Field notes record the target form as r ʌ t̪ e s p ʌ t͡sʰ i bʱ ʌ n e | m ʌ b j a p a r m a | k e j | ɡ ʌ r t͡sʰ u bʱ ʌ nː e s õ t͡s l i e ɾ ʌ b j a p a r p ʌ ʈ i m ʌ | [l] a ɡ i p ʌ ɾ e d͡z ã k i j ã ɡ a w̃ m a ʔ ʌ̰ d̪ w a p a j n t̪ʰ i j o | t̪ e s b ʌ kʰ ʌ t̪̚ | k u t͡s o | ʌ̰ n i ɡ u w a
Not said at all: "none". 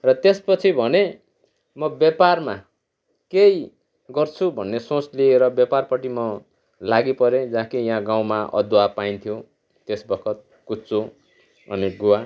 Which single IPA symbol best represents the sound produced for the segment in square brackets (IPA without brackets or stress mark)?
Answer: l